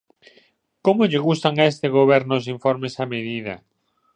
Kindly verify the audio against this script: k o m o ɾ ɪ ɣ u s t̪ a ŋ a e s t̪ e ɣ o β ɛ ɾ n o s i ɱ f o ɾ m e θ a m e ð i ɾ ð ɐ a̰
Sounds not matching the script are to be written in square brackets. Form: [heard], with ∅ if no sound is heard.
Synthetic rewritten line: k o m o [ʎ] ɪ ɣ u s t̪ a ŋ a e s t̪ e ɣ o β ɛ ɾ n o s i ɱ f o ɾ m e [s] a m e ð i [∅] ð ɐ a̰